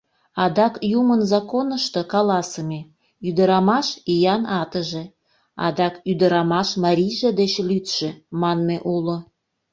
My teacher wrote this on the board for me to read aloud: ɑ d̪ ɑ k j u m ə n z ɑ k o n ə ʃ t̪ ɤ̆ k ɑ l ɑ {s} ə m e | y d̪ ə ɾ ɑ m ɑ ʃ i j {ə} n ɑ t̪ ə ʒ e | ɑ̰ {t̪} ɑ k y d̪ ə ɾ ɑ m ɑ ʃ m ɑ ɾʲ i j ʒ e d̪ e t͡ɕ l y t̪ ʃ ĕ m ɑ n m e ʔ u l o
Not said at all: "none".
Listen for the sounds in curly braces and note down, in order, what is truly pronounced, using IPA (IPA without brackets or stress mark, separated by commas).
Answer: s, ɑ, d̪